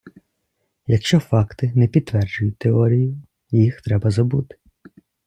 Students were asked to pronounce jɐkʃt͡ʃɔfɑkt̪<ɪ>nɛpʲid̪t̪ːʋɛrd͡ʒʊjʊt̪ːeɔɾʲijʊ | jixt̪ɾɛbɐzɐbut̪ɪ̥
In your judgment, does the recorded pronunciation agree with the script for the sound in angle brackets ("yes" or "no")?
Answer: yes